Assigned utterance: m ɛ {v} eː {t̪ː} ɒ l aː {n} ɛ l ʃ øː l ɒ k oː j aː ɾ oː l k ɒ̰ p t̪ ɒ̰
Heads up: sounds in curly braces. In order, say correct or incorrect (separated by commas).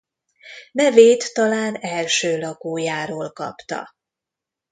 correct, correct, correct